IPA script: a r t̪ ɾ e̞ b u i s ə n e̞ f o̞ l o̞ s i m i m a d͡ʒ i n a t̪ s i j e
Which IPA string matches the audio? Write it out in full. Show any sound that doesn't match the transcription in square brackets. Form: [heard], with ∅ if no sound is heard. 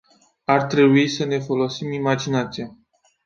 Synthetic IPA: a r t̪ ɾ e̞ b u i s ə n e̞ f o̞ l o̞ s i m i m a d͡ʒ i n a t̪ s i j [a]